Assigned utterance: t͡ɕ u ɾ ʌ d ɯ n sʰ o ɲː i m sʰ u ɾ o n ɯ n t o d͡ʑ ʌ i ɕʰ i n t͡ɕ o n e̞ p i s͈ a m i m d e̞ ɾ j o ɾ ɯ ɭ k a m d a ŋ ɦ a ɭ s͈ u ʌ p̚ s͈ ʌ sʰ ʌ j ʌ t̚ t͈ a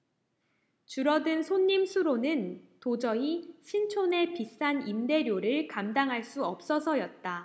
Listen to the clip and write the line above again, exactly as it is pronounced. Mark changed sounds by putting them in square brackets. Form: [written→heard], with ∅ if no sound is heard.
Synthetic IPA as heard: t͡ɕ u ɾ ʌ d ɯ n sʰ o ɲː i m sʰ u ɾ o n ɯ n t o d͡ʑ ʌ i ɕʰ i n [t͡ɕ→t͡ɕʰ] o n e̞ p i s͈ a [m→n] i m d e̞ ɾ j o ɾ ɯ ɭ k a m d a ŋ ɦ a ɭ s͈ u ʌ p̚ s͈ ʌ sʰ ʌ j ʌ t̚ t͈ a

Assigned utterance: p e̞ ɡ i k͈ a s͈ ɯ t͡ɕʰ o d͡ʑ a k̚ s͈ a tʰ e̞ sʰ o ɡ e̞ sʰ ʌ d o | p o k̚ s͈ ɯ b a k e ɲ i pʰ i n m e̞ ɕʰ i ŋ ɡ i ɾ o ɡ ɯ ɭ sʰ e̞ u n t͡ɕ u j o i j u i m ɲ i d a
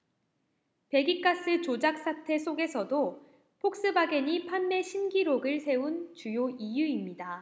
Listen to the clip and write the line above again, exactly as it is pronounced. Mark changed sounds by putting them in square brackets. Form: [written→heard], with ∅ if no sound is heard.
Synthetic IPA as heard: p e̞ ɡ i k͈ a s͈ ɯ [t͡ɕʰ→t͡ɕ] o d͡ʑ a k̚ s͈ a tʰ e̞ sʰ o ɡ e̞ sʰ ʌ d o | [p→pʰ] o k̚ s͈ ɯ b a [k→ɡ] e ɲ i pʰ [i→a] n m e̞ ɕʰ i [ŋ→n] ɡ i ɾ o ɡ ɯ ɭ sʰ e̞ u n t͡ɕ u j o i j u i m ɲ i d a

